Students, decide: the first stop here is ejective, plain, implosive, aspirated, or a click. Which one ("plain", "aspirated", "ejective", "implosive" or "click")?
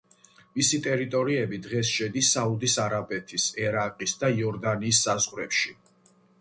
ejective